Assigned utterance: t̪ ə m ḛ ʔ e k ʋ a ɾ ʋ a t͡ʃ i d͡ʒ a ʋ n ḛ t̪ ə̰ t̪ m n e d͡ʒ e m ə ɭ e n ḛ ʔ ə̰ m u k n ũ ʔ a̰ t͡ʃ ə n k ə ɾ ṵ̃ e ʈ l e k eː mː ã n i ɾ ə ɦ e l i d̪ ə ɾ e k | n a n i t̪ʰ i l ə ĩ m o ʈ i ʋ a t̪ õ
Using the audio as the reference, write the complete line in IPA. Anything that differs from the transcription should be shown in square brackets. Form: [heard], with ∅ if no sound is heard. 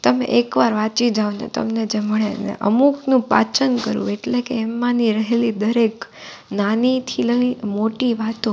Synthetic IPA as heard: t̪ ə m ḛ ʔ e k ʋ a ɾ ʋ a t͡ʃ i d͡ʒ a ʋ n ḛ t̪ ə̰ [∅] m n e d͡ʒ e m ə ɭ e n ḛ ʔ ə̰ m u k n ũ [p] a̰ t͡ʃ ə n k ə ɾ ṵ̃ e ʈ l e k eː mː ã n i ɾ ə ɦ e l i d̪ ə ɾ e k | n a n i t̪ʰ i l ə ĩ m o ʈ i ʋ a t̪ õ